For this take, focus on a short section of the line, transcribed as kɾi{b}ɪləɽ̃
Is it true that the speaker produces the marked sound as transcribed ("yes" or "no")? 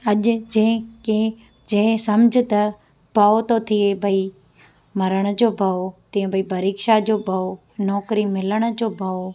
no